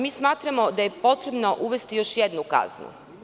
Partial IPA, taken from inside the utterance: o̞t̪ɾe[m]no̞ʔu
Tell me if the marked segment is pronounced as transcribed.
no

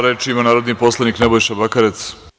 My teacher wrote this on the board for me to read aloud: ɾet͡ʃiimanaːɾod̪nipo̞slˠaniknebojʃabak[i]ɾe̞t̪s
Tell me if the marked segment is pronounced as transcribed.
no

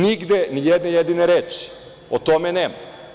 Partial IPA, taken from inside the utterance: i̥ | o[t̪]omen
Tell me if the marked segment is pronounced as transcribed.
yes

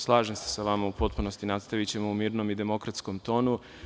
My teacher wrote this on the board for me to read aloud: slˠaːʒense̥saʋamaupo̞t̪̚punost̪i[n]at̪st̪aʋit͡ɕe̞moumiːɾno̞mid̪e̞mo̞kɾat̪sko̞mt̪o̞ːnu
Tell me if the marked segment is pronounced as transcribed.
yes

